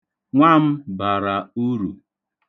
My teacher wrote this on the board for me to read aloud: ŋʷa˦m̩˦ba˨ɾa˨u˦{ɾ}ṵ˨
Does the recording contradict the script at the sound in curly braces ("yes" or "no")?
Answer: no